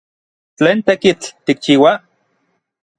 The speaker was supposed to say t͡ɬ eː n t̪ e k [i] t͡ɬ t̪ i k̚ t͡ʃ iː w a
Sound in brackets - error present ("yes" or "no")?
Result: no